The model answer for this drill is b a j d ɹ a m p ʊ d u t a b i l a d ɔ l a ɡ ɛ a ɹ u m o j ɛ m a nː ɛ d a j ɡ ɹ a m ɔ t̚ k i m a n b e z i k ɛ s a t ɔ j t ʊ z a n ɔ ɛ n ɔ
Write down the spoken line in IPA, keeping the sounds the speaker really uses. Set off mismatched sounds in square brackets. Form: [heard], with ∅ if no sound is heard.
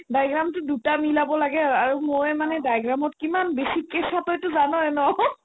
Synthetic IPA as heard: [d] a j [ɡ] ɹ a m [t] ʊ d u t a [m] i l a [b] ɔ l a ɡ ɛ a ɹ u m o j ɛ m a [n] ɛ d a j ɡ ɹ a m ɔ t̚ k i m a n b e [s] i k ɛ s a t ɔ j t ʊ z a n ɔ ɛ n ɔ